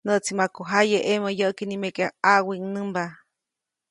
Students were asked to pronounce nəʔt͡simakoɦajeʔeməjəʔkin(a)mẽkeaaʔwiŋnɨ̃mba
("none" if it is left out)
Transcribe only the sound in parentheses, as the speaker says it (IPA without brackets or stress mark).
i